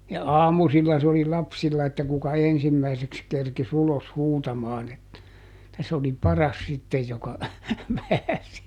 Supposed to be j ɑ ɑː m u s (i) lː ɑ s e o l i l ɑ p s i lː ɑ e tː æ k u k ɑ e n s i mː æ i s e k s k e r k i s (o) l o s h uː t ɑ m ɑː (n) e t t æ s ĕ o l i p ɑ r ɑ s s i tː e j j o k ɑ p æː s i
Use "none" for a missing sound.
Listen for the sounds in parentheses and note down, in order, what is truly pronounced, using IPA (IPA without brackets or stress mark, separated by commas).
i, u, n